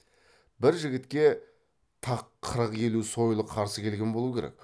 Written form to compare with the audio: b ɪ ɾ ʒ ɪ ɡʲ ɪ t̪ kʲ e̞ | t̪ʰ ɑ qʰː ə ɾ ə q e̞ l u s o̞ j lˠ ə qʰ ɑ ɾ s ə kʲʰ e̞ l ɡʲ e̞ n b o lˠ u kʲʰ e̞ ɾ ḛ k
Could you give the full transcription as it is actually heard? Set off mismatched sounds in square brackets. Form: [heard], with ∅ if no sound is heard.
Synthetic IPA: b ɪ ɾ ʒ ɪ ɡʲ ɪ t̪ kʲ e̞ | t̪ʰ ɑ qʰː ə ɾ ə q e̞ l u s o̞ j lˠ ə qʰ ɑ ɾ s ə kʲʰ e̞ l ɡʲ e̞ n b o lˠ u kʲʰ e̞ ɾ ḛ k